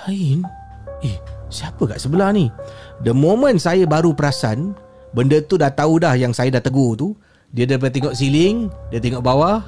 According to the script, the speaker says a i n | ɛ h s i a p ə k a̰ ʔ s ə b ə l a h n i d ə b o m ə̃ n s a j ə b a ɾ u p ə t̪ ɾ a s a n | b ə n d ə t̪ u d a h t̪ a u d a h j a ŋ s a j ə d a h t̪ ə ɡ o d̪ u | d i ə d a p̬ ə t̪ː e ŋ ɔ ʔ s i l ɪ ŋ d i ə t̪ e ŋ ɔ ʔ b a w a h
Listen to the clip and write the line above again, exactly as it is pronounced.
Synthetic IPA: a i n | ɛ h s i a p ə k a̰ ʔ s ə b ə l a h n i d ə m o m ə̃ n s a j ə b a ɾ u p ə ɾ a s a n | b ə n d ə t̪ u d a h t̪ a u d a h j a ŋ s a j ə d a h t̪ ə ɡ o t̪ u | d i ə d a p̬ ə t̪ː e ŋ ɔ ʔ s i l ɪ ŋ d i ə t̪ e ŋ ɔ ʔ b a w a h